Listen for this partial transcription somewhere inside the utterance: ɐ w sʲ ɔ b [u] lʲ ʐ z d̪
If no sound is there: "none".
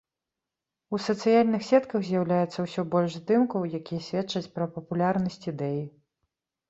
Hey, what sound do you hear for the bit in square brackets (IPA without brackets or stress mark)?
ɔ